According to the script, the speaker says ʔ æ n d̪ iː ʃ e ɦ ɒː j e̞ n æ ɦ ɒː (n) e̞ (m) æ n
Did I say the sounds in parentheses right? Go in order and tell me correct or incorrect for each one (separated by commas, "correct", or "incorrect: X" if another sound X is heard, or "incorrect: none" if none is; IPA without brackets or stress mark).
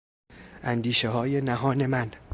correct, correct